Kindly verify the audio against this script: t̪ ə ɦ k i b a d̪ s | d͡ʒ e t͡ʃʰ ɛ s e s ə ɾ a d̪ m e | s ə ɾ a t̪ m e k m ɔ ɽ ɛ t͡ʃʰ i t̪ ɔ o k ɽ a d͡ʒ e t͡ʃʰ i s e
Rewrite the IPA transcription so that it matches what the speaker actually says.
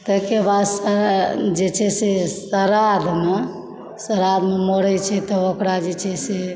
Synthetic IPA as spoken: t̪ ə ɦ k e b a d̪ s | d͡ʒ e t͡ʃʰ ɛ s e s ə ɾ a d̪ m e | s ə ɾ a d̪ m e m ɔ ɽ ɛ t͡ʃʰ ɛ t̪ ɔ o k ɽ a d͡ʒ e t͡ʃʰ ɛ s e